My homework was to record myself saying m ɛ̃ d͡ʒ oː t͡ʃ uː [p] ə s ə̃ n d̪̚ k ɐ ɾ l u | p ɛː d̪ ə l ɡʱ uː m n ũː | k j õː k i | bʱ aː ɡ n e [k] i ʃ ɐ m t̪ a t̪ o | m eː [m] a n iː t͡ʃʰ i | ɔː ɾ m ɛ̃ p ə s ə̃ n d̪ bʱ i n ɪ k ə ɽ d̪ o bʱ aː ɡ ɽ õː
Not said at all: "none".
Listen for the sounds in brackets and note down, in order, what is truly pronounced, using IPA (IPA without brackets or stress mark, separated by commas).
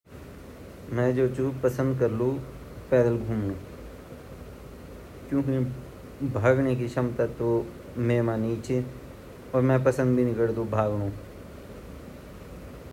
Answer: p, k, m